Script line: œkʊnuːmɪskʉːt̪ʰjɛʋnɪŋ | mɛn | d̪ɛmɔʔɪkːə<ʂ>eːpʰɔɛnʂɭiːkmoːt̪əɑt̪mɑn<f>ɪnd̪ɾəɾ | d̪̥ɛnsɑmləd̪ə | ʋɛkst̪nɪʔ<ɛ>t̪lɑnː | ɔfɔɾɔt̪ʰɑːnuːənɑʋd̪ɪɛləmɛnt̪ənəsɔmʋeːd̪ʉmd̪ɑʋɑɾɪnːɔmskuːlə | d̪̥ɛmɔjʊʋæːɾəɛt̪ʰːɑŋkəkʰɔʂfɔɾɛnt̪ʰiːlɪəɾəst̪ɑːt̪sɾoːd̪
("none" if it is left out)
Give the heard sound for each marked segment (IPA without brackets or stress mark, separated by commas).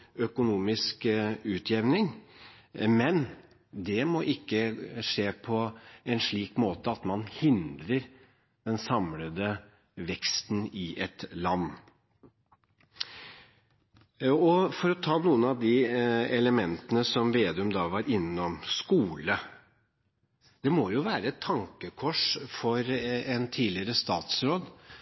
ʂ, h, ɛ